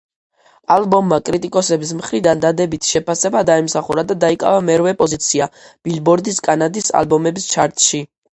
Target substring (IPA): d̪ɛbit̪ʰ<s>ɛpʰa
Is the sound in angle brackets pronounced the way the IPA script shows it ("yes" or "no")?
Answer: no